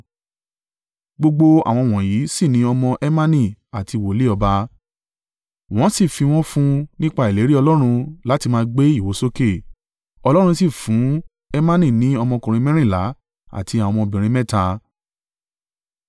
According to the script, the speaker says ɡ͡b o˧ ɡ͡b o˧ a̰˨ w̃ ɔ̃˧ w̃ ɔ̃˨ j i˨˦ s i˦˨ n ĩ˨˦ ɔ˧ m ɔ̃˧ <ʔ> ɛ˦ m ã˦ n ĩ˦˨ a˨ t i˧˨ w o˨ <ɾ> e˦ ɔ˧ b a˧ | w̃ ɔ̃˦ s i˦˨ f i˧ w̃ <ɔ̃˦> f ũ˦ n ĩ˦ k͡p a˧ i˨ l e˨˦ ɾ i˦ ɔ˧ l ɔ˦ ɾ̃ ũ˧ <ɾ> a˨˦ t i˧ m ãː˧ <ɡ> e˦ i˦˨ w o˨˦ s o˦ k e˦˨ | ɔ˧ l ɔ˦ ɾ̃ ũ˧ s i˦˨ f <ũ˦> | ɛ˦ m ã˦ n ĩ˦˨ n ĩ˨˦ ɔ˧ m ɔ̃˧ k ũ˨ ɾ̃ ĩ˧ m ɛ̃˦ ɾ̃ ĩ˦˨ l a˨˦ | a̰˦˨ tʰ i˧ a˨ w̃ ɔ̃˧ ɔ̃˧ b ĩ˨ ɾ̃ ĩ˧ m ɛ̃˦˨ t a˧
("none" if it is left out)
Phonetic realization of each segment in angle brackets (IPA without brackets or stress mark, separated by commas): ʔ, l, ɔ̃˦, l, ɡ͡b, ũ˨˦